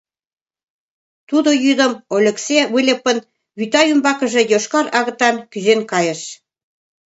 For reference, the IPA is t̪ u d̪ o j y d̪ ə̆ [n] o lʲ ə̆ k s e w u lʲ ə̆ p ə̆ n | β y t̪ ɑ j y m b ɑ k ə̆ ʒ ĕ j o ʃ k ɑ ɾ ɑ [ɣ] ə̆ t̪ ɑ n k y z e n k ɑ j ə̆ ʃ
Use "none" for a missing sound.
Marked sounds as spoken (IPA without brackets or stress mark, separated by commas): m, ɣ